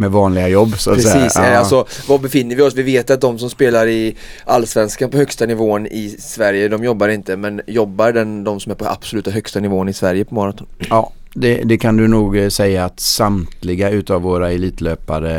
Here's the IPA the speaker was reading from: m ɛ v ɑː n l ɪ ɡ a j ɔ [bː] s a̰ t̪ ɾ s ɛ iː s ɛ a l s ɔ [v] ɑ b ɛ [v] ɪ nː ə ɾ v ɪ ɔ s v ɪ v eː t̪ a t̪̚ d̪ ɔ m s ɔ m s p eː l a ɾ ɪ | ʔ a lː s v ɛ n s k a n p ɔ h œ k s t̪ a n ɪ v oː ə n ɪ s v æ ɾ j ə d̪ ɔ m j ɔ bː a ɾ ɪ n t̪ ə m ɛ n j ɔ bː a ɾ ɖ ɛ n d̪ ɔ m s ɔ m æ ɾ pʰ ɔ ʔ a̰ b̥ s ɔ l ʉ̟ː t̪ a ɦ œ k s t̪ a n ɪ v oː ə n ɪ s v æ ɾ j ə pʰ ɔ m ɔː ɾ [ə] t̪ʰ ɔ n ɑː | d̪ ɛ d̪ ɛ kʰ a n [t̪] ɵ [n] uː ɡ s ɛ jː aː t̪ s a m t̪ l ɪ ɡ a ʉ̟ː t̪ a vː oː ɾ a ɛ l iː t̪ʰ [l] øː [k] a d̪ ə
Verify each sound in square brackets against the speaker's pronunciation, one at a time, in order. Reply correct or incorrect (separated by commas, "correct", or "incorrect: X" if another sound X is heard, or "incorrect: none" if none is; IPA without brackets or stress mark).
correct, correct, incorrect: f, incorrect: a, incorrect: d̪, correct, correct, incorrect: p